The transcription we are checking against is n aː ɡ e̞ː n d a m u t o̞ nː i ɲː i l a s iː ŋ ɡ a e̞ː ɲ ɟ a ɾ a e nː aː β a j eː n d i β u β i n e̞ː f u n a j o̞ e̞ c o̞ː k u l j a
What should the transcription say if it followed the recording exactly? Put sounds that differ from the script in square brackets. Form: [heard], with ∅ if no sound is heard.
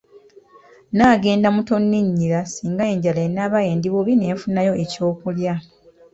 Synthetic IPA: n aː ɡ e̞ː n d a m u t o̞ nː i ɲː i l a s iː ŋ ɡ a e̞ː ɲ ɟ a [l] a e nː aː β a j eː n d i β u β i n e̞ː f u n a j o̞ e̞ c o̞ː k u l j a